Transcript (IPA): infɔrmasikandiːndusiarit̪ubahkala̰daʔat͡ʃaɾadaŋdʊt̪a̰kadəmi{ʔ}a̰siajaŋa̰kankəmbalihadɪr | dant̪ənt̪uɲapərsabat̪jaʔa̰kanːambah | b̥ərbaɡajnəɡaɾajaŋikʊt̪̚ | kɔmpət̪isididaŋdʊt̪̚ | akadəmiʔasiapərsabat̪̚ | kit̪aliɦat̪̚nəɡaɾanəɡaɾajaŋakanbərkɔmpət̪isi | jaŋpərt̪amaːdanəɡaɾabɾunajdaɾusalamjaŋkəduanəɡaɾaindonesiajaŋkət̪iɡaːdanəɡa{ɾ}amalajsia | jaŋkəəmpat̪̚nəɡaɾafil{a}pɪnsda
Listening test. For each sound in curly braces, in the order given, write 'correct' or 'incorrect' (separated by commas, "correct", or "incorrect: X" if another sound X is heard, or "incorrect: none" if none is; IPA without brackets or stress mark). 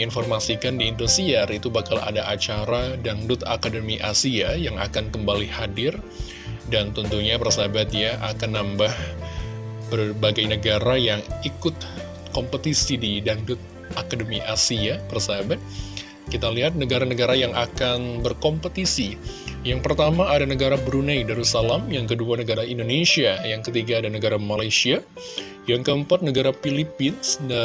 correct, correct, incorrect: i